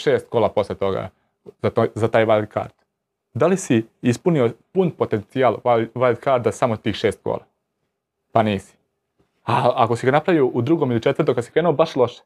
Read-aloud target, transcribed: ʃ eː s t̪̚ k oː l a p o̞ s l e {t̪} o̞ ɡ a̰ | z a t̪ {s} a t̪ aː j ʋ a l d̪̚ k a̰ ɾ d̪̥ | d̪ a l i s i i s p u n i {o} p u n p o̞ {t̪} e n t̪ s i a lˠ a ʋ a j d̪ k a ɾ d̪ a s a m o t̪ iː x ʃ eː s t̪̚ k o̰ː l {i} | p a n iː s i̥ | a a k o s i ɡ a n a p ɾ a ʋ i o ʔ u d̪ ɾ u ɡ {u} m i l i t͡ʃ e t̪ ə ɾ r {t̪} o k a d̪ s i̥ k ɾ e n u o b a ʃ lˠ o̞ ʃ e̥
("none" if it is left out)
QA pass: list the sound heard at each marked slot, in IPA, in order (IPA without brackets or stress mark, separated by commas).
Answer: t̪, z, o, t̪, a, o, t̪